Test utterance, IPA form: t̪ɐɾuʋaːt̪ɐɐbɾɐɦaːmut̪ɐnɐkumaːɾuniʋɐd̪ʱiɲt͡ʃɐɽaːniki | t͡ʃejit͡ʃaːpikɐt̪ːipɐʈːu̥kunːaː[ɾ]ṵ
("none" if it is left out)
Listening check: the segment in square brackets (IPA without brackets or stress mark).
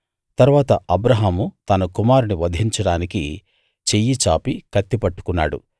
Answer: ɽ